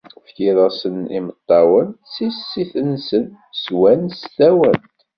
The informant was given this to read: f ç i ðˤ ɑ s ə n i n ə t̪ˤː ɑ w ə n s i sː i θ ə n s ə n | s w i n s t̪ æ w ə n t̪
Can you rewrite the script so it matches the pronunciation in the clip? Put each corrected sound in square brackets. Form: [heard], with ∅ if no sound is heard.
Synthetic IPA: f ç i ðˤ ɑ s ə n i [m] ə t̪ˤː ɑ w ə n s i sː i θ ə n s ə n | s w [æ] n s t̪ æ w ə n t̪